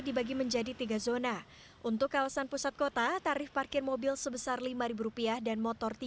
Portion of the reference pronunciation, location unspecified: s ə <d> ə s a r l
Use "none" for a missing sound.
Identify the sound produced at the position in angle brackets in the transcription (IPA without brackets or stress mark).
b